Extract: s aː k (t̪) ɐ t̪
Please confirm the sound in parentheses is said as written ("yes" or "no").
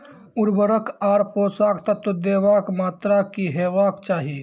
yes